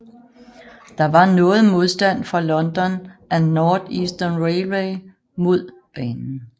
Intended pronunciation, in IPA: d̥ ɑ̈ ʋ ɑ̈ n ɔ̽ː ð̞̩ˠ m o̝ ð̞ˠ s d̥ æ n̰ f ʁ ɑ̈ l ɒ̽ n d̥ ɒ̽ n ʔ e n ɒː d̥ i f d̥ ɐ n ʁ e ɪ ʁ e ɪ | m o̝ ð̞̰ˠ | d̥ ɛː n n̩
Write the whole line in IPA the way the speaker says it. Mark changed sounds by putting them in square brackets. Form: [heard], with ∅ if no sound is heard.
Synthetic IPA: d̥ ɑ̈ ʋ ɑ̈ n ɔ̽ː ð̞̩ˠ m o̝ ð̞ˠ s d̥ æ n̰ f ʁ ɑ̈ l ɒ̽ n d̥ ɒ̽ n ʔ [æ] n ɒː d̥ i [s] d̥ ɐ n ʁ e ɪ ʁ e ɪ | m o̝ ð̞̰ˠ | [b̥] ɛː n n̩